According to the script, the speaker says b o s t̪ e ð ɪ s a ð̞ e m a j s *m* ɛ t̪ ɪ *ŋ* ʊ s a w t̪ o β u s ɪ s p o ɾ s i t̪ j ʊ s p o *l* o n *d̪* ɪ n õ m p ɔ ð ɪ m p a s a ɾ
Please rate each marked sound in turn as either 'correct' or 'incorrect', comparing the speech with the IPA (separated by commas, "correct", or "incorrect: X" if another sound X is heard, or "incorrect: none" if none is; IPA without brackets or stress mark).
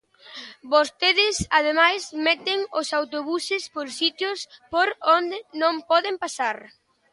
correct, correct, incorrect: ɾ, correct